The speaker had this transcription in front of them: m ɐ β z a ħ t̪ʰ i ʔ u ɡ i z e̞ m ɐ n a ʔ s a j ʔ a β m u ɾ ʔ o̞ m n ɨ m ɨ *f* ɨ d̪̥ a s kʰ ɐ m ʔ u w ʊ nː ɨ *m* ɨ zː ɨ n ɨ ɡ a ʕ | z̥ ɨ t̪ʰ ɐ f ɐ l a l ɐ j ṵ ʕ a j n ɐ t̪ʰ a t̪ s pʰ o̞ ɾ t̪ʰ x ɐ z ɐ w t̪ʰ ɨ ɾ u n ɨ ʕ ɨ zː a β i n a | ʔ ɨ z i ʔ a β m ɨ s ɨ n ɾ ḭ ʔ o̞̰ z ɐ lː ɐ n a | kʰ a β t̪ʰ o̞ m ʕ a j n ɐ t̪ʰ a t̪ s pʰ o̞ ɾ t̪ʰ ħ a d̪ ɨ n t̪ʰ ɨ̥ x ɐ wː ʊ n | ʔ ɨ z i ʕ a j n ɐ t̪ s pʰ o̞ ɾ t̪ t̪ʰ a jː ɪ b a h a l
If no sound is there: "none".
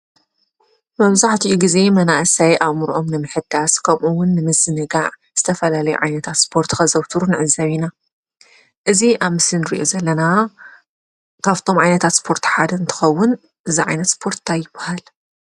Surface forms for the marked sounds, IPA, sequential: ħ, m

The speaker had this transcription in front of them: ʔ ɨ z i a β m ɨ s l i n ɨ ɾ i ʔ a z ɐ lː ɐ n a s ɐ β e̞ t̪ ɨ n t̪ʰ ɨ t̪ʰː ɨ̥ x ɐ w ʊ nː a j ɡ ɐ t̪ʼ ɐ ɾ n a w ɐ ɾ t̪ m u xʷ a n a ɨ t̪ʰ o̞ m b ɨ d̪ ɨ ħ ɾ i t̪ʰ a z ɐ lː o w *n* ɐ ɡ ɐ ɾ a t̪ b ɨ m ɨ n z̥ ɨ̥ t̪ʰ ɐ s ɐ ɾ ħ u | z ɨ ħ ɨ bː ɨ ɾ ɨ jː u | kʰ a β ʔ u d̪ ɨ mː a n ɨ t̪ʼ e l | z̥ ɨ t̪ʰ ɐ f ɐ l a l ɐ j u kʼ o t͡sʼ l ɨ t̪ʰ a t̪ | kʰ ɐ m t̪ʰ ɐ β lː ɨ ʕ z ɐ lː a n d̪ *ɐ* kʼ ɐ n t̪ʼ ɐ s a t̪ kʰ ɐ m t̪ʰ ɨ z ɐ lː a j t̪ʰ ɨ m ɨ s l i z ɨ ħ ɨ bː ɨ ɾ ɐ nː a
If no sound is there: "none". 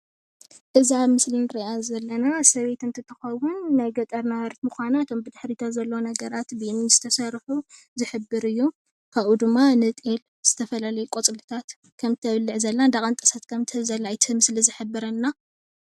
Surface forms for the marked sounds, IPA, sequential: n, a

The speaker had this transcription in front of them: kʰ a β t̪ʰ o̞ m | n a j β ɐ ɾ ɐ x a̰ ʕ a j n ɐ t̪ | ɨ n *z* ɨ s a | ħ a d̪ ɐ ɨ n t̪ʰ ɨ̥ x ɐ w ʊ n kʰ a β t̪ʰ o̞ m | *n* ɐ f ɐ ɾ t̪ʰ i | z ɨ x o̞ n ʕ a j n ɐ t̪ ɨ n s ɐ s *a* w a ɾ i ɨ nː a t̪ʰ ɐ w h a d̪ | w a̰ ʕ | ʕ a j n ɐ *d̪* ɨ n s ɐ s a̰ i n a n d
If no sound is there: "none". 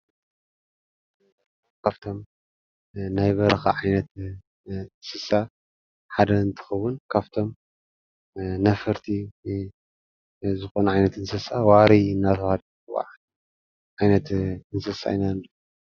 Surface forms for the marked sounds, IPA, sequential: s, n, a, t̪

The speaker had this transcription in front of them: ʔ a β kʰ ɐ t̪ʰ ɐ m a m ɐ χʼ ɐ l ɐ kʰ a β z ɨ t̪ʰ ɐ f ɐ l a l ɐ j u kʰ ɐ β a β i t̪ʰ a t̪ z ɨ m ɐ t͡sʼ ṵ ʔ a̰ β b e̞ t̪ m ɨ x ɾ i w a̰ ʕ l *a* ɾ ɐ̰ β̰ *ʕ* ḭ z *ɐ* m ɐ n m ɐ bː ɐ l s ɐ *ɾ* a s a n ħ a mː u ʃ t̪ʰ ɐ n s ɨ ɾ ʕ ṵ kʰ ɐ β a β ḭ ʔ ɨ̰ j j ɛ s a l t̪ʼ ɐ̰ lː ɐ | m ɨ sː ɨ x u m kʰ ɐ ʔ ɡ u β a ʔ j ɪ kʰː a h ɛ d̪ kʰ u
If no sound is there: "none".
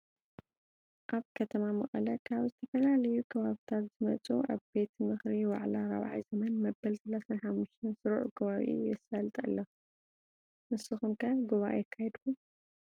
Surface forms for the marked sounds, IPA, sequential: a, ʕ, ɐ, l

